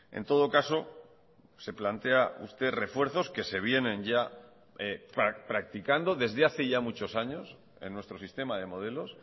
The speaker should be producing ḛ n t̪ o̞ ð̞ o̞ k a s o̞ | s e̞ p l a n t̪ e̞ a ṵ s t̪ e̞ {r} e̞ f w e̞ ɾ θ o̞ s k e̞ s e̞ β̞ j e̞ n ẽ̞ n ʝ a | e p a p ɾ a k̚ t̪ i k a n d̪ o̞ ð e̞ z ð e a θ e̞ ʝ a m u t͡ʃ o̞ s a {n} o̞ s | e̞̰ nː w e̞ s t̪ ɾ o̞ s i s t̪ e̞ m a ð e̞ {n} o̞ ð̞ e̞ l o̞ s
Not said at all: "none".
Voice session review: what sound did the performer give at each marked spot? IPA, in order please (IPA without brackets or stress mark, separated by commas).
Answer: r, ɲ, m